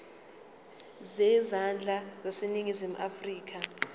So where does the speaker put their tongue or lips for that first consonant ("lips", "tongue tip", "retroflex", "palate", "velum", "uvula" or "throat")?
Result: tongue tip